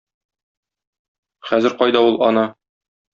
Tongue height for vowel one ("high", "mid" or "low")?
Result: low